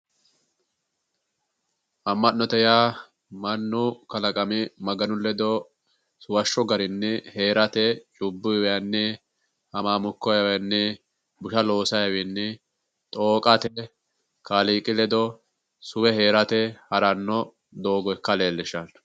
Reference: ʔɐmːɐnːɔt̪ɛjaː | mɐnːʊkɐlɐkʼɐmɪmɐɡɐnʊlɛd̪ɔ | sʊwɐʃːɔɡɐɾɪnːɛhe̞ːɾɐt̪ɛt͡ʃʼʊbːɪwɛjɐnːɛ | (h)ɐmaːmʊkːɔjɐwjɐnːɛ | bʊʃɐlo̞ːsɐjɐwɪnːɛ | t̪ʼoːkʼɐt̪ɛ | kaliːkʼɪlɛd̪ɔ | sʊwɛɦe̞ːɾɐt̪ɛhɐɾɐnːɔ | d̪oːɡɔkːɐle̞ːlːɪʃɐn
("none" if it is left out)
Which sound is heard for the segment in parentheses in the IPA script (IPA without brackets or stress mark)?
h